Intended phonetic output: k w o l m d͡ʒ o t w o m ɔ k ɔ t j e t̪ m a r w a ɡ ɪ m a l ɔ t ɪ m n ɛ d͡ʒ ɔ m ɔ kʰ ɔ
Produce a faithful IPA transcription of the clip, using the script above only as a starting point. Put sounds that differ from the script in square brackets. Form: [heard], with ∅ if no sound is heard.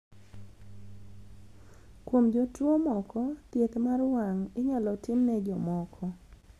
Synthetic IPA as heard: k w o [∅] m d͡ʒ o t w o m ɔ k ɔ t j e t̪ m a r w a [ŋ] ɪ [ɲ] a l ɔ t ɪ m n ɛ d͡ʒ ɔ m ɔ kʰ ɔ

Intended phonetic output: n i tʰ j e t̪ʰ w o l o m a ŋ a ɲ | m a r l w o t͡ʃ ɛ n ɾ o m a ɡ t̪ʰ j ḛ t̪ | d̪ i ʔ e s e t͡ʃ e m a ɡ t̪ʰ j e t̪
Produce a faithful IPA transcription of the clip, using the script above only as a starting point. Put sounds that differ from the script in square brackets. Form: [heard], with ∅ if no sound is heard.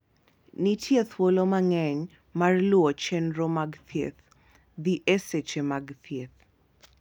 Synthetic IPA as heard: n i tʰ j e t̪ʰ w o l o m a ŋ [ɛ] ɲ | m a r l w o t͡ʃ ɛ n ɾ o m a ɡ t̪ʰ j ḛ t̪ | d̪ i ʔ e s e t͡ʃ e m a ɡ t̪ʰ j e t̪

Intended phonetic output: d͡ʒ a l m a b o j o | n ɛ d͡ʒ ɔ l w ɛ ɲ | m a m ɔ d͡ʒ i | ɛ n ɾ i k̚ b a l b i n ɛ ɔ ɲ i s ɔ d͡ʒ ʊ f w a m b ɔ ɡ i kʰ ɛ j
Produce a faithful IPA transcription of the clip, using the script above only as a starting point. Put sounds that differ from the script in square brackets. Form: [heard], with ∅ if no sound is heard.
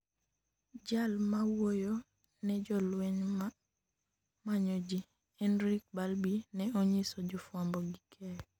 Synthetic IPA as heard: d͡ʒ a l m a [w] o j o | n ɛ d͡ʒ ɔ l w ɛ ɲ | m a [ɲ] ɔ d͡ʒ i | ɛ n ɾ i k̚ b a l b i n ɛ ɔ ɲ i s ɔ d͡ʒ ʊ f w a m b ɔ ɡ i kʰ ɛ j

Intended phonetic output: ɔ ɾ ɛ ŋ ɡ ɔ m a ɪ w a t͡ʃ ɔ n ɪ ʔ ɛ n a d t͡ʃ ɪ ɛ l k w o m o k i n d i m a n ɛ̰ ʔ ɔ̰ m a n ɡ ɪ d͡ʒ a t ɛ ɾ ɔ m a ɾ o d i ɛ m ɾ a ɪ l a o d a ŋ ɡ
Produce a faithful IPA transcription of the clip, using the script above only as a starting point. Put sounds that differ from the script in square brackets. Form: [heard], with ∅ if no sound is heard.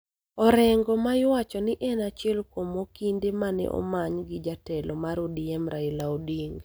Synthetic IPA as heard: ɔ ɾ ɛ ŋ ɡ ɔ m a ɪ w a t͡ʃ ɔ n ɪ ʔ ɛ n a [∅] t͡ʃ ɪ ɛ l k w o m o k i n d [e] m a n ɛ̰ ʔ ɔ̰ m a [ɲ] ɡ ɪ d͡ʒ a t ɛ [l] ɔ m a ɾ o d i ɛ m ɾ a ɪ l a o d [i] ŋ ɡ

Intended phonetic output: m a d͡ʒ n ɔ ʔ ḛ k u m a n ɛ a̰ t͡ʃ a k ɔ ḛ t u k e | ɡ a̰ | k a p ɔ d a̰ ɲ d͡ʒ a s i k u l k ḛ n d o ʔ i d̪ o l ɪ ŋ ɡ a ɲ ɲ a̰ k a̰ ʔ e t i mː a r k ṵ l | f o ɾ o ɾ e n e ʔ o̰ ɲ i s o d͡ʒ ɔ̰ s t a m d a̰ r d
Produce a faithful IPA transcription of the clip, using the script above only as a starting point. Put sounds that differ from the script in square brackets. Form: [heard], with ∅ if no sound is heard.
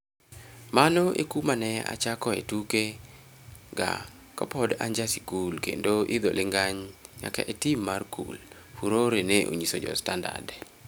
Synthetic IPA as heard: m a [∅] n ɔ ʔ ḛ k u m a n ɛ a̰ t͡ʃ a k ɔ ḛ t u k e | ɡ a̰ | k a p ɔ d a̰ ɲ d͡ʒ a s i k u l k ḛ n d o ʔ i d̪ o l ɪ ŋ ɡ a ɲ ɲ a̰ k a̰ ʔ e t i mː a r k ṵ l | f [u] ɾ o ɾ e n e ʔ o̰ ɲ i s o d͡ʒ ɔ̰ s t a [n] d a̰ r d

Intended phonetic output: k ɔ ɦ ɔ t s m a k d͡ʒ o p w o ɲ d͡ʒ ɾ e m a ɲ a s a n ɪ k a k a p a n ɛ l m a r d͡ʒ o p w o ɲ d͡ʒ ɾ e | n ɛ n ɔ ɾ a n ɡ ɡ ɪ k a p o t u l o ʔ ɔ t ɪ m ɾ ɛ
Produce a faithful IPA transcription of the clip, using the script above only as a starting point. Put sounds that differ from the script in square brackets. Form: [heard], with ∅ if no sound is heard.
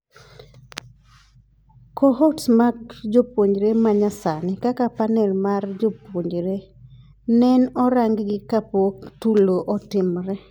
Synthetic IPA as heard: k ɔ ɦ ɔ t s m a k d͡ʒ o p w o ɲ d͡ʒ ɾ e m a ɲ a s a n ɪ k a k a p a n ɛ l m a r d͡ʒ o p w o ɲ d͡ʒ ɾ e | n ɛ n ɔ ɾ a [ŋ] ɡ ɡ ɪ k a p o t u l o ʔ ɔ t ɪ m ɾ ɛ

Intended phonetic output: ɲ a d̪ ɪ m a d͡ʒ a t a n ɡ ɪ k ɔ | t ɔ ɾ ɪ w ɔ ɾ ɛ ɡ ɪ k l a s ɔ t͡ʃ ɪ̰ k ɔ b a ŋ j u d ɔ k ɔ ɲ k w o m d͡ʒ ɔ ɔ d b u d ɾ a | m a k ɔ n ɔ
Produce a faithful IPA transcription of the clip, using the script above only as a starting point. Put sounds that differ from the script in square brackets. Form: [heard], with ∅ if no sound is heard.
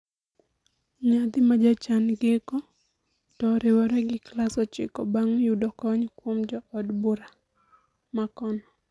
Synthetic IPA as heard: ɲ a d̪ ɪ m a d͡ʒ a [t͡ʃ] a n ɡ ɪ k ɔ | t ɔ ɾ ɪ w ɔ ɾ ɛ ɡ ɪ k l a s ɔ t͡ʃ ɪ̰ k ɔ b a ŋ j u d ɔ k ɔ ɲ k w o m d͡ʒ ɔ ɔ d b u [∅] ɾ a | m a k ɔ n ɔ

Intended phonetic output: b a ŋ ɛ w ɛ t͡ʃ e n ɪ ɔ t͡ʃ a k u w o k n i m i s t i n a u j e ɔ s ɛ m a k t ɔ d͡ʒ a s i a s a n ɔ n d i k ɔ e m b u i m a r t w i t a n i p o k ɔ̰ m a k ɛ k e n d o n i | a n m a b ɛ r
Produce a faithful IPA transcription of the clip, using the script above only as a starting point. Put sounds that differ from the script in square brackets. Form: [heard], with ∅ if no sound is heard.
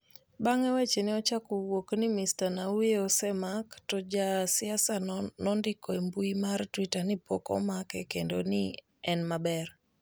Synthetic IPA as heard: b a ŋ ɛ w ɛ t͡ʃ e n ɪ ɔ t͡ʃ a k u w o k n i m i s t [a] n a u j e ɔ s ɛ m a k t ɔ d͡ʒ a s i a s a n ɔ n d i k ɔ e m b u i m a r t w i t a n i p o k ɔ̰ m a k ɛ k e n d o n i | [ɛ] n m a b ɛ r

